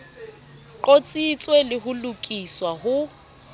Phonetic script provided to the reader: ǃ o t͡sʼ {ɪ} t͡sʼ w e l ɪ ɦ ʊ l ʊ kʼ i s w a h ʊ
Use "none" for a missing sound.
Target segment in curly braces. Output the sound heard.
i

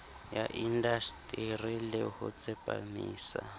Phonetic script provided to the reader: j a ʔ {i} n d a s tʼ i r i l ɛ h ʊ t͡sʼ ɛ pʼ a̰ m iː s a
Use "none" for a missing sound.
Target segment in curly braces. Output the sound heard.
i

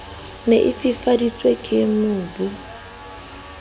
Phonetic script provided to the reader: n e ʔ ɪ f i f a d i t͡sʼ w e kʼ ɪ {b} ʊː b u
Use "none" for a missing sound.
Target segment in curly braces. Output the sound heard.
m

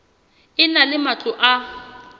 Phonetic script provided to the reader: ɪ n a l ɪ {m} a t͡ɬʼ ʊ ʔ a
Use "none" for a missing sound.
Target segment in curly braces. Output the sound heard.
m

